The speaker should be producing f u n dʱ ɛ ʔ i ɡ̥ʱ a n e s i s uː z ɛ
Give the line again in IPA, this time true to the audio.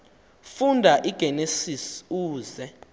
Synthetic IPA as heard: f u n dʱ a ʔ i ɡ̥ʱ ɛ n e s i s uː z ɛ